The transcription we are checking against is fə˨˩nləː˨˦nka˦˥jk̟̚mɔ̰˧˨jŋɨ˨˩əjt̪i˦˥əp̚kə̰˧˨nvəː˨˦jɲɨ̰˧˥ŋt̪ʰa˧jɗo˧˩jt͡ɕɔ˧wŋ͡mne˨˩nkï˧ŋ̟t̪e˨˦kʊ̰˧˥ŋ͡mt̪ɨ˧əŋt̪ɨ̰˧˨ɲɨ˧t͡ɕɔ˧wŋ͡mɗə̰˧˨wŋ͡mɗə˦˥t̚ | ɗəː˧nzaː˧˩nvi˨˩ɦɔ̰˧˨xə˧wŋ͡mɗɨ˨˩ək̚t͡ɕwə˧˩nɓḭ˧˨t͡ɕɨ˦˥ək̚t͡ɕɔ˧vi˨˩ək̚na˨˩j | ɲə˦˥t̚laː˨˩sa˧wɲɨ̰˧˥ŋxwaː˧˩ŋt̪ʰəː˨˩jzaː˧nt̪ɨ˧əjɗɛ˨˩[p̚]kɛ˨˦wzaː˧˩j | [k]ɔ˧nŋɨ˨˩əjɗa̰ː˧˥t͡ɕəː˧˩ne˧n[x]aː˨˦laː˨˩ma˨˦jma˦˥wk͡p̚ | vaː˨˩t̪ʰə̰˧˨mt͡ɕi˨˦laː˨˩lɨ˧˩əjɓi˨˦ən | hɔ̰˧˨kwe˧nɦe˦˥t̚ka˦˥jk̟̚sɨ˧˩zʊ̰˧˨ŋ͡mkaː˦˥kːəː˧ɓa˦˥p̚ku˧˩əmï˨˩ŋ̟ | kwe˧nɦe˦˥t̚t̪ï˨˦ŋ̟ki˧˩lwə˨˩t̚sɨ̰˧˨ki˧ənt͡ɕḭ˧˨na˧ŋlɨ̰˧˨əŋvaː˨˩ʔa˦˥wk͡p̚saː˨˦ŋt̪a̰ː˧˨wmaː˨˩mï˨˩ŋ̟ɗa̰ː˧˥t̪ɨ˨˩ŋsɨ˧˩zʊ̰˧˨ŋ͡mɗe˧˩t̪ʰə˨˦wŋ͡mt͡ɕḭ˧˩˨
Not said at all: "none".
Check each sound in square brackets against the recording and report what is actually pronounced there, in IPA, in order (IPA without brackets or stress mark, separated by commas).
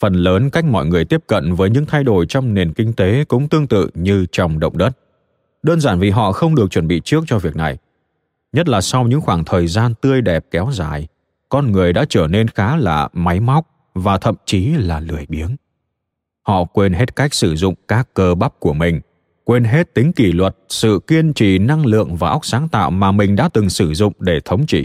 p̚, k, x